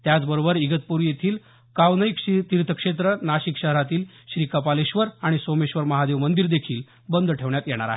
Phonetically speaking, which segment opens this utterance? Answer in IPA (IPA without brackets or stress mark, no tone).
t̪